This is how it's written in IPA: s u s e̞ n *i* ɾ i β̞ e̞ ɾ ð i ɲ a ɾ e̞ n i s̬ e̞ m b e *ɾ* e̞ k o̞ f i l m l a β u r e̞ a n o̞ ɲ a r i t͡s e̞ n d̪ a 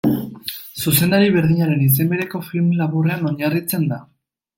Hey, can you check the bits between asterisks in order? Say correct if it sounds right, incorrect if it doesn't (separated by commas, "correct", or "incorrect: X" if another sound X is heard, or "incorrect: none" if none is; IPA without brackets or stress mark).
incorrect: a, correct